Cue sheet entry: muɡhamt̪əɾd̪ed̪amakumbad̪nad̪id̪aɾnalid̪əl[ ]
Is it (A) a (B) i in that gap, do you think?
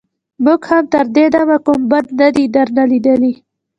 B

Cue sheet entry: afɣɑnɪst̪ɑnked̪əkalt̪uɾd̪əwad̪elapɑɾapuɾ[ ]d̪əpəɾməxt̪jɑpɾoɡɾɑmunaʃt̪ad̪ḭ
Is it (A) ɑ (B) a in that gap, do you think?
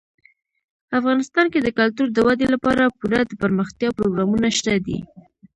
B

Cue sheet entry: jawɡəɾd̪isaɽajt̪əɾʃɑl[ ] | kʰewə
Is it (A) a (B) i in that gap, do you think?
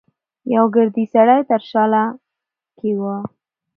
A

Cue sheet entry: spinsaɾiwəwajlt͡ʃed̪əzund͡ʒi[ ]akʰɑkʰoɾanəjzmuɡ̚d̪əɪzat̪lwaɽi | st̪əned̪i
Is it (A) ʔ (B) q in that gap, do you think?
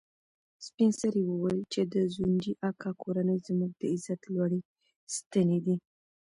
A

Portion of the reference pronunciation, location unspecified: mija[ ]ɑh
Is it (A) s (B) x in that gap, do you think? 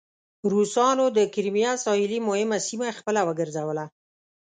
A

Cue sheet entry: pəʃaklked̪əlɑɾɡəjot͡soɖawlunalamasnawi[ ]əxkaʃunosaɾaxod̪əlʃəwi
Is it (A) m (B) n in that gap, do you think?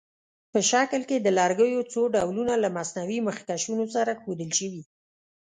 A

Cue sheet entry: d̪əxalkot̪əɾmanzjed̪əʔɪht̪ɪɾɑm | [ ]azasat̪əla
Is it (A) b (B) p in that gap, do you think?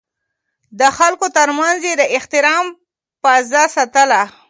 B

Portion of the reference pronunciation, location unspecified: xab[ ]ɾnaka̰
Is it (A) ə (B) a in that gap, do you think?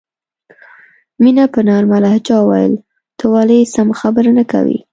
A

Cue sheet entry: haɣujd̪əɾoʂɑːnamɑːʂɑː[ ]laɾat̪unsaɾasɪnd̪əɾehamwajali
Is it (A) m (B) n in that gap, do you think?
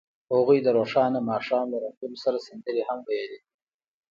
A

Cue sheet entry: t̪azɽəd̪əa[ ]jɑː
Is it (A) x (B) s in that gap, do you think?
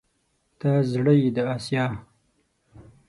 B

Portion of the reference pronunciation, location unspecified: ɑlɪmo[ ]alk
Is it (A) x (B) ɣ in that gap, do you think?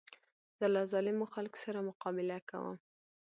A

